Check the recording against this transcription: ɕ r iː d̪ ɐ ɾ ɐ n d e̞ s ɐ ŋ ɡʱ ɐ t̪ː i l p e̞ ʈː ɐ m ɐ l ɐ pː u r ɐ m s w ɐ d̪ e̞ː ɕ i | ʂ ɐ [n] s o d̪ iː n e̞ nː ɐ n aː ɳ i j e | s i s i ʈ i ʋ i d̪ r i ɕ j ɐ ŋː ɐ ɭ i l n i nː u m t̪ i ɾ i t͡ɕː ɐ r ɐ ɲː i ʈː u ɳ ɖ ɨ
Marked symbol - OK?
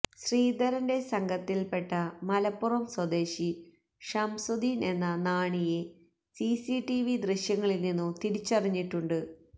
no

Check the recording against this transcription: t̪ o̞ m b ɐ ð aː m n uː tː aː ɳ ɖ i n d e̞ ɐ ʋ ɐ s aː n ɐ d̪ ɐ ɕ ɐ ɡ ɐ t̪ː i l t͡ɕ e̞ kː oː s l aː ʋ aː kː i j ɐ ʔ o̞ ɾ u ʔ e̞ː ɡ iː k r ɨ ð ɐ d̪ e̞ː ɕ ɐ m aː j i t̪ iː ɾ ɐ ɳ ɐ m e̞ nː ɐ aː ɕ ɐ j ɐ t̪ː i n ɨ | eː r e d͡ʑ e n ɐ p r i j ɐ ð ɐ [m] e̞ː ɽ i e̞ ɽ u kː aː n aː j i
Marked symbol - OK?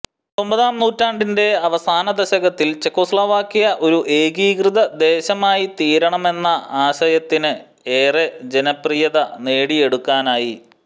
no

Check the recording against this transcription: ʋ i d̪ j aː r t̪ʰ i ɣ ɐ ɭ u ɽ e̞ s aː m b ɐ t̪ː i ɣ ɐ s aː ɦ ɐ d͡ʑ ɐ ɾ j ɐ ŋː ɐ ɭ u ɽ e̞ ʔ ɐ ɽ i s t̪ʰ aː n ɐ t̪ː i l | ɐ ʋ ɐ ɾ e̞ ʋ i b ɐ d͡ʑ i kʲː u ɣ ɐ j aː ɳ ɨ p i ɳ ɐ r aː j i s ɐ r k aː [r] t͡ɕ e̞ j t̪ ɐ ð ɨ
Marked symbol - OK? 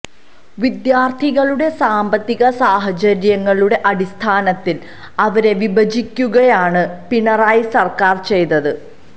yes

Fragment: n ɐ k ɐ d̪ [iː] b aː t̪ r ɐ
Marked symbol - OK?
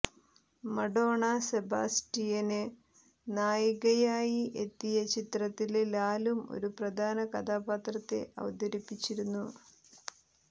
no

